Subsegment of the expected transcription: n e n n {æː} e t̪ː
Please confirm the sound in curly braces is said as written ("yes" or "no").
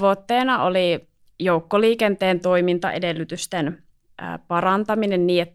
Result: no